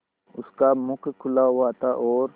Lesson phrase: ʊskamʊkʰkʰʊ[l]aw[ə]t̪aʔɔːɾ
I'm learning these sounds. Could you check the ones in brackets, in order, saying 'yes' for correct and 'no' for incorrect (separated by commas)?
yes, no